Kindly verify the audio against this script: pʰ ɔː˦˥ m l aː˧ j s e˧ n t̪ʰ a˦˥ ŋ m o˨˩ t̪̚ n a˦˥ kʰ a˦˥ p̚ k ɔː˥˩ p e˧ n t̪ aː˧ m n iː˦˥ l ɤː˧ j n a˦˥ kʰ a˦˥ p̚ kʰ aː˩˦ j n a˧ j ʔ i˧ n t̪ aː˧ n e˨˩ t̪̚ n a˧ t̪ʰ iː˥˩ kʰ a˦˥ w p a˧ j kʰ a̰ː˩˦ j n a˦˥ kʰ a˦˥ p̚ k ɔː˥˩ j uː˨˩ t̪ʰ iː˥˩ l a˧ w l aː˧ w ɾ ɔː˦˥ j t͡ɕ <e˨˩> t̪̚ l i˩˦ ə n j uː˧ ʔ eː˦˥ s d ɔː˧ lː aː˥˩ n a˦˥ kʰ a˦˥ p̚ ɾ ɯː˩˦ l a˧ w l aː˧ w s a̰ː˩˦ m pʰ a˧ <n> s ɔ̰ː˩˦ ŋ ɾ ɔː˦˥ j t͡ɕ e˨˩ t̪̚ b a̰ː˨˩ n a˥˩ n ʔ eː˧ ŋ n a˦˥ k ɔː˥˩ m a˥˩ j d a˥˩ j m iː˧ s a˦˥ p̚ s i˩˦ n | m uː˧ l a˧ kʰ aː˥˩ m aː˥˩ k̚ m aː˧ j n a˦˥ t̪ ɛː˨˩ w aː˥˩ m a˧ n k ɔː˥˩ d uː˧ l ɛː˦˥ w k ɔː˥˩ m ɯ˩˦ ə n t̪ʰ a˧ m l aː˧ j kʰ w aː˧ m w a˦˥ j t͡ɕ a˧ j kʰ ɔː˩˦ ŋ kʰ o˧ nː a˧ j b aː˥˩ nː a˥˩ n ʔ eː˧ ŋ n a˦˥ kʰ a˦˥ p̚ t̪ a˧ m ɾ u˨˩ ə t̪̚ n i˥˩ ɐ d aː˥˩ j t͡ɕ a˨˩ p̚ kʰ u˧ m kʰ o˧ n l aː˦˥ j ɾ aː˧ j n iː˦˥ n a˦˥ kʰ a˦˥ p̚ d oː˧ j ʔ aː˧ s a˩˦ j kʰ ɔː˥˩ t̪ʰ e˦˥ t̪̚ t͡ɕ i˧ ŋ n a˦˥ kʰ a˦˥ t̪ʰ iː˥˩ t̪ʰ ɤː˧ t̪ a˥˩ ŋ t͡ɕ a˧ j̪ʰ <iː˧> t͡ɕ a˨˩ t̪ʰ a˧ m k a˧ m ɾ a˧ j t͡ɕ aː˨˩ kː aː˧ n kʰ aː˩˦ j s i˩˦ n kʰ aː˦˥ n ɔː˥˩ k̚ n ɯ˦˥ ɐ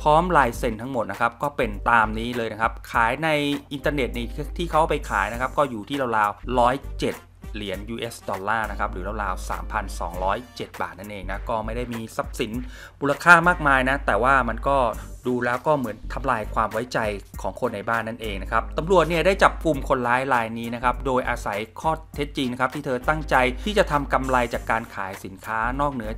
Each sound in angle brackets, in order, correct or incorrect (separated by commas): correct, correct, incorrect